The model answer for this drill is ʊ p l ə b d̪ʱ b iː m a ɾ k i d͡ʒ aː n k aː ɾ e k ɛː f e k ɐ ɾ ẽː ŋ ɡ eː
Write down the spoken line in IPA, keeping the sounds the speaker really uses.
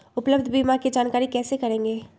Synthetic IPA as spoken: ʊ p l ə b d̪ʱ b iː m a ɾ k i d͡ʒ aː n k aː ɾ i k ɛː s e k ɐ ɾ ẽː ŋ ɡ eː